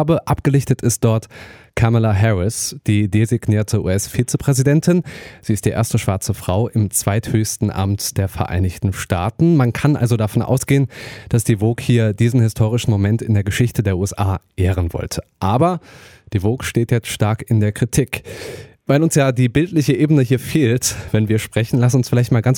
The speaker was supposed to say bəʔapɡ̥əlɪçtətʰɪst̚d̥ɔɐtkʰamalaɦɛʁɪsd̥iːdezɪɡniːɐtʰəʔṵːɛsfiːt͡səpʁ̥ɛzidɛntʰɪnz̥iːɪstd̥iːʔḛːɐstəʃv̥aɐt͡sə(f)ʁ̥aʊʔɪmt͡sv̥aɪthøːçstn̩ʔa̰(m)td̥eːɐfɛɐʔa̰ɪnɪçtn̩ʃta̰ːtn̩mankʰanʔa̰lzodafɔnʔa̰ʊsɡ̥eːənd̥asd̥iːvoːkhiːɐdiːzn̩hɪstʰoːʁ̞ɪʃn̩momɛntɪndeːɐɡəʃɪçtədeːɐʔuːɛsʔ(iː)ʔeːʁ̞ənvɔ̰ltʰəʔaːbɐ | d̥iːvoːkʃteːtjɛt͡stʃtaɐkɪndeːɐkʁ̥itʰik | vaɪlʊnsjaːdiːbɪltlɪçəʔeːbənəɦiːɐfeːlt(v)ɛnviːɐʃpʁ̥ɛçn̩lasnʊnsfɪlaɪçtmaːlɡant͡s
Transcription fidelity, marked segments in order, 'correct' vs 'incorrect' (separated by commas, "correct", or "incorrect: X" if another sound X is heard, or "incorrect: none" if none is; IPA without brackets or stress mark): correct, correct, incorrect: aː, correct